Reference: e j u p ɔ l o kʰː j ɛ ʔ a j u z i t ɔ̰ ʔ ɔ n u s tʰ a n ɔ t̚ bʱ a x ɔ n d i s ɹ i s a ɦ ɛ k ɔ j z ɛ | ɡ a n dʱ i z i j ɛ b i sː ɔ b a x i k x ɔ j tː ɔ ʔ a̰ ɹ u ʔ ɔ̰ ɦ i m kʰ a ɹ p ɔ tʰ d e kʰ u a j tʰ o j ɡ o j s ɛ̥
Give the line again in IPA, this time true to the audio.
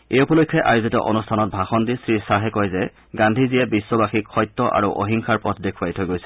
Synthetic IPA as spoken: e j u p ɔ l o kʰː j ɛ ʔ a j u z i t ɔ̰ ʔ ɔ n u s tʰ a n ɔ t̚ bʱ a x ɔ n d i s ɹ i s a ɦ ɛ k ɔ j z ɛ | ɡ a n dʱ i z i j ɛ b i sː ɔ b a x i k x ɔ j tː ɔ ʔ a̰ ɹ u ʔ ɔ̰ ɦ i ŋ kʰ a ɹ p ɔ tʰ d e kʰ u a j tʰ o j ɡ o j s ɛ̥